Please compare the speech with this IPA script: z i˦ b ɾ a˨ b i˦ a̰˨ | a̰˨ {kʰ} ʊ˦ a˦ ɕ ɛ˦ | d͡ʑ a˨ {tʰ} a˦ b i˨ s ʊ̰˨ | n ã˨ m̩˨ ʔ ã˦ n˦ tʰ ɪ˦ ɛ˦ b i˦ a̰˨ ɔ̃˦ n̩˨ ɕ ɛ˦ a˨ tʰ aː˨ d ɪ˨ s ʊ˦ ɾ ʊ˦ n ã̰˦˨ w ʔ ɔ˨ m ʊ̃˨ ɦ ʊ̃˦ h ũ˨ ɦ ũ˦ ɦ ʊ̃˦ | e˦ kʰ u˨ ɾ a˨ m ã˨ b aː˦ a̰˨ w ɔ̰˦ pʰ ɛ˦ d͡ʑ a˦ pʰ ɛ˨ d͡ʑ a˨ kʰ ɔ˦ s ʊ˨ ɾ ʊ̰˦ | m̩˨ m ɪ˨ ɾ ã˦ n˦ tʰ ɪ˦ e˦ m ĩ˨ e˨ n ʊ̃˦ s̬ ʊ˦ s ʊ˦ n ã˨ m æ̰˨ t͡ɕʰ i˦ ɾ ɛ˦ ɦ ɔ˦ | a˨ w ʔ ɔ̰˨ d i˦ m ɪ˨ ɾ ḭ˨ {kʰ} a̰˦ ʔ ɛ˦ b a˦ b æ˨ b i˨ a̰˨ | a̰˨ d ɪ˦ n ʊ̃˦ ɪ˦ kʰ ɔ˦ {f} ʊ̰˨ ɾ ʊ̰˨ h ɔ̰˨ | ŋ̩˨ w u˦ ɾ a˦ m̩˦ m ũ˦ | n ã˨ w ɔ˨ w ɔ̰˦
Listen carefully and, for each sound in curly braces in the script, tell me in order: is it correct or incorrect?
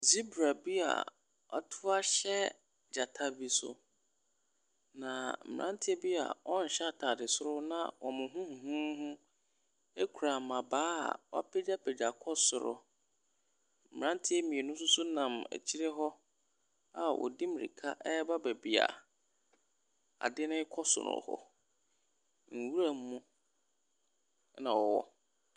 incorrect: tʰ, correct, correct, incorrect: s

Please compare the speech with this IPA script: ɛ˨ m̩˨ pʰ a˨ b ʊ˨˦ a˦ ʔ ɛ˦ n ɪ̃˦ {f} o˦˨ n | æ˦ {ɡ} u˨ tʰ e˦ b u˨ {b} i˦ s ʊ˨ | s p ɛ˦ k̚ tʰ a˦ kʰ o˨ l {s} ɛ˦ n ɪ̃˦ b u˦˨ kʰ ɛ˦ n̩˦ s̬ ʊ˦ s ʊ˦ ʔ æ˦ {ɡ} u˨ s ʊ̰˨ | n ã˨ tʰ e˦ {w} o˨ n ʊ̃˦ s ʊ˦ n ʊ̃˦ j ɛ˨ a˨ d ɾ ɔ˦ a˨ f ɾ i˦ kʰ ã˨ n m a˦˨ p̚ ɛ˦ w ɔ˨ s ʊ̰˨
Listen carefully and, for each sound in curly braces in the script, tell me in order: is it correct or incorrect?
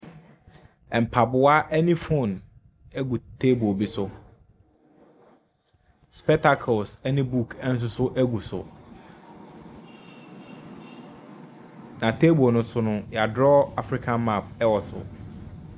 correct, correct, correct, correct, correct, incorrect: b

